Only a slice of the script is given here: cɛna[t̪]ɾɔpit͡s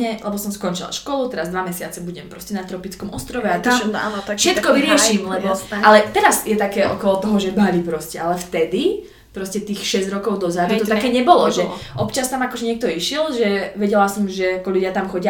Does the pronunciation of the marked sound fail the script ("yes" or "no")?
no